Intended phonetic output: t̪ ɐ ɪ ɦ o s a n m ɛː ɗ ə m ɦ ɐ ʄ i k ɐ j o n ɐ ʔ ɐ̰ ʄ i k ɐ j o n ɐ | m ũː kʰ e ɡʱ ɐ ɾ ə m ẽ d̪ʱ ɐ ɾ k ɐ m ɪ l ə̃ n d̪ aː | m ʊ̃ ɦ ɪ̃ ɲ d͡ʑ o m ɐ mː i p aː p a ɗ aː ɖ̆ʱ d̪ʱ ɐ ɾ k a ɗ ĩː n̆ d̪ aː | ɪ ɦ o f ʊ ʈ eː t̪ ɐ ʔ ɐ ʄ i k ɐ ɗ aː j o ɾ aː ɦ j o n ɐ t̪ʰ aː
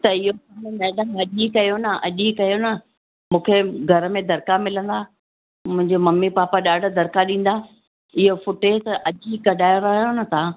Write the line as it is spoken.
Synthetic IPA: t̪ ɐ ɪ ɦ o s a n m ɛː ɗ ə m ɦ ɐ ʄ i k ɐ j o n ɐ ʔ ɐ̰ ʄ i k ɐ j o n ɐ | m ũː kʰ e ɡʱ ɐ ɾ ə m ẽ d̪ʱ ɐ ɾ k a m ɪ l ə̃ n d̪ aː | m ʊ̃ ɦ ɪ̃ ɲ d͡ʑ o m ɐ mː i p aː p a ɗ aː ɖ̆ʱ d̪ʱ ɐ ɾ k a ɗ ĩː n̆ d̪ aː | ɪ ɦ o f ʊ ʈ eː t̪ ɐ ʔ ɐ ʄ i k ɐ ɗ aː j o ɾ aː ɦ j o n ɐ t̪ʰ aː